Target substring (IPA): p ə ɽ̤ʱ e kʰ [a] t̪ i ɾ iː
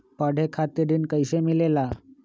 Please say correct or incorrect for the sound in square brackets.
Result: correct